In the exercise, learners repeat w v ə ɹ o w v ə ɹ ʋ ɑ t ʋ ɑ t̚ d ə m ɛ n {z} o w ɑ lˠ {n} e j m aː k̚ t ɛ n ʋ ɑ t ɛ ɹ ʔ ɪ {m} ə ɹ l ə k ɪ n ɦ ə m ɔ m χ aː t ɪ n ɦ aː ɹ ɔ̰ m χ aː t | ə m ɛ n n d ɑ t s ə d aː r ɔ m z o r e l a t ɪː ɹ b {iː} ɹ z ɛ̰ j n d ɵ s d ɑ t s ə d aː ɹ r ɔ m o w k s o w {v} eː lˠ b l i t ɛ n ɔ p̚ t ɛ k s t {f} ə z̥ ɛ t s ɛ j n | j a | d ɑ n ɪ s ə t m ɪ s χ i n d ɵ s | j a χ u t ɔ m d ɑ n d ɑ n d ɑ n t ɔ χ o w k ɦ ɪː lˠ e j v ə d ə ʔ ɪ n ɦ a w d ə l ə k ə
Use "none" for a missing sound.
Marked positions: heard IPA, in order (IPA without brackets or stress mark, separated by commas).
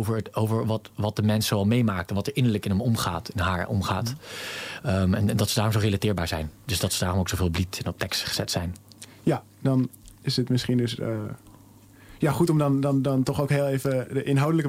s, m, n, aː, v, χ